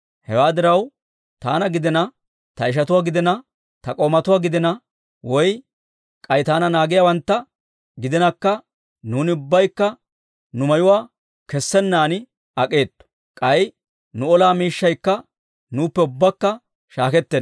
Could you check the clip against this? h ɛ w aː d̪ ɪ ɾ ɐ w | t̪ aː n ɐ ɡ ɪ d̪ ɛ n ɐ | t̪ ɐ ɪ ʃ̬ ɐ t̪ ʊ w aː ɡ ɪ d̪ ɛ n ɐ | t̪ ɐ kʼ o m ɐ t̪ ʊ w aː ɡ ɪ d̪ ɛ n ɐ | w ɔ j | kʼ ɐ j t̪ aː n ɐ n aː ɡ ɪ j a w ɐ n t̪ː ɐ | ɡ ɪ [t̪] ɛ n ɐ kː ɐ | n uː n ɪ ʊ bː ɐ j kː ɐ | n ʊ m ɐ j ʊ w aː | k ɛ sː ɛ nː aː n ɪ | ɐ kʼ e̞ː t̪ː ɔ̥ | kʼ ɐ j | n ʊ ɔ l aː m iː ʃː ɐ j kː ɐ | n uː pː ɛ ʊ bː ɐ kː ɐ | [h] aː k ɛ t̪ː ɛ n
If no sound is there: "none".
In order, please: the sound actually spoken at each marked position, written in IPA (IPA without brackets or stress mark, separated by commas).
d̪, ʃ